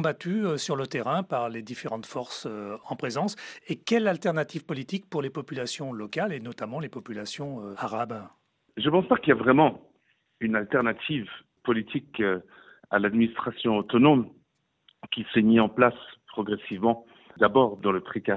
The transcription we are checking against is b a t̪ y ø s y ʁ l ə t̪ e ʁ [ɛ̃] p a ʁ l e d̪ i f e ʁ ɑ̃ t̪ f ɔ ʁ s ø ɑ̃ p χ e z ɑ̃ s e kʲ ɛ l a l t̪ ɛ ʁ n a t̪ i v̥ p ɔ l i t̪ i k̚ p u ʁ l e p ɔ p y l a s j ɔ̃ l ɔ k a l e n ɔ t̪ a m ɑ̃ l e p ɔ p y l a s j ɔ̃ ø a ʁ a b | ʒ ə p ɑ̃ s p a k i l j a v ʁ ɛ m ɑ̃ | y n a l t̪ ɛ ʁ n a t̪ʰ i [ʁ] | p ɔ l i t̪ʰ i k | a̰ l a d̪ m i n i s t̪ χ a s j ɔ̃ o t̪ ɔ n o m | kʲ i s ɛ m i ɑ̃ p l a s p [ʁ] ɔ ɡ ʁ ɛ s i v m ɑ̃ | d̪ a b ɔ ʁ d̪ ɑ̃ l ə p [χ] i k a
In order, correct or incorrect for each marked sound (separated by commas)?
correct, incorrect, incorrect, correct